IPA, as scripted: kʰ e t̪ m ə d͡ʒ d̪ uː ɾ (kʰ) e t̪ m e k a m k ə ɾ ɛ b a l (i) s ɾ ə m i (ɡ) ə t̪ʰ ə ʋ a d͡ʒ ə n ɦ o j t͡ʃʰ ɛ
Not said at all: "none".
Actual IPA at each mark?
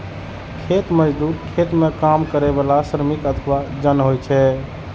kʰ, a, k

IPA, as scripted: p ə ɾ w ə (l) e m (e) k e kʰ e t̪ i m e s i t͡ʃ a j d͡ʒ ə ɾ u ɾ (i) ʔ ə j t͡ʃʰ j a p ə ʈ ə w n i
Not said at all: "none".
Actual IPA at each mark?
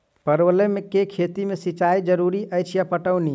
l, e, i

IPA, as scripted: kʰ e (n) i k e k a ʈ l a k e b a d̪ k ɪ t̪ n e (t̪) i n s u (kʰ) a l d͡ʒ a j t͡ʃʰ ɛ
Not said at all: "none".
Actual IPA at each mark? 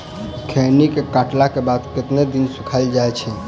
n, d̪, kʰ

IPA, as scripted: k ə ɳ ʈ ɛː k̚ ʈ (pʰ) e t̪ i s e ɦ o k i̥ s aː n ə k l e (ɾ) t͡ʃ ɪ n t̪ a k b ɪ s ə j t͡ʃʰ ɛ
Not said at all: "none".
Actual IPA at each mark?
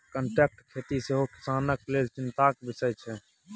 kʰ, l

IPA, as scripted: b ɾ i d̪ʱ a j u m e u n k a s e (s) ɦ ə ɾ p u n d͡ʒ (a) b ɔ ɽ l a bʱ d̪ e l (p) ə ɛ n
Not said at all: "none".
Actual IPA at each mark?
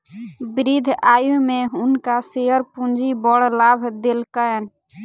none, i, k

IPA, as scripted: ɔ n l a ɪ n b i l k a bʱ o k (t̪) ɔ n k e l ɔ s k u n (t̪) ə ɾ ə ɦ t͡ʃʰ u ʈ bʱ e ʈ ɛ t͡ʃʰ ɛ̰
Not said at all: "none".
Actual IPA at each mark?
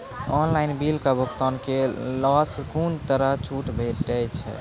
t̪, t̪

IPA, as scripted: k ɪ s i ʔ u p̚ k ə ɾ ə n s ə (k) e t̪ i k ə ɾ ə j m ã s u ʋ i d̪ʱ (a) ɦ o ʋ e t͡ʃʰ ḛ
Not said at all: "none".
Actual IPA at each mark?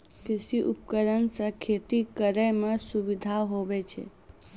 kʰ, a

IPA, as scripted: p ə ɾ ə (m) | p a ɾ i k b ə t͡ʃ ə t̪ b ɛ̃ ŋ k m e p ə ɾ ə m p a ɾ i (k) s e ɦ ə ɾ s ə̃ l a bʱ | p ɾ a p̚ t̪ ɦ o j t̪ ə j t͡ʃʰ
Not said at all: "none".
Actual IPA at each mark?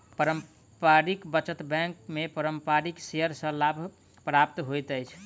m, k

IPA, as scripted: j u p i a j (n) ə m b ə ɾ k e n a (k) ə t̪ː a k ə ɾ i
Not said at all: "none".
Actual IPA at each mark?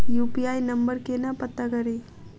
n, p

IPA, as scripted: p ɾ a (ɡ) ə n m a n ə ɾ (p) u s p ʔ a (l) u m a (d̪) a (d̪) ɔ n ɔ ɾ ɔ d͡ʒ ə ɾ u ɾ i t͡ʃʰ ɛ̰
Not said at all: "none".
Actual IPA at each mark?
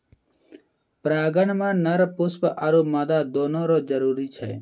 ɡ, p, ɾ, d̪, d̪

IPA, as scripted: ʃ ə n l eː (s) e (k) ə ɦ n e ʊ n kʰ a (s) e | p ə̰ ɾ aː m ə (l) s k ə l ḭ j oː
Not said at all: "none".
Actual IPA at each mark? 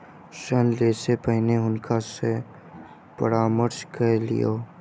s, p, s, ɾ

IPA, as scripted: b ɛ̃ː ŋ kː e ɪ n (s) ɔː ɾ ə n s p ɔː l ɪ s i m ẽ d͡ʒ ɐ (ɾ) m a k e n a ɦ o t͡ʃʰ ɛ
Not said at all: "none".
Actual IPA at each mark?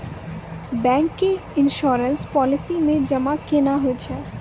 ʃ, none

